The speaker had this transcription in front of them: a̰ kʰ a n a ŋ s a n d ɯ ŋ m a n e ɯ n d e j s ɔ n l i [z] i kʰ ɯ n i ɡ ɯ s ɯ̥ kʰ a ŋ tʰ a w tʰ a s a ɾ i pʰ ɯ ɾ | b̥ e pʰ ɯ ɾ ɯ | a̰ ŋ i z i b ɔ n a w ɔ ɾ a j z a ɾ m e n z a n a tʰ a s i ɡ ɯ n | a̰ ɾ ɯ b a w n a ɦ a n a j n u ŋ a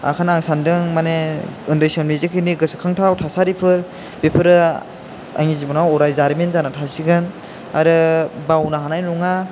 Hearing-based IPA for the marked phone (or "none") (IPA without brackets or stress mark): z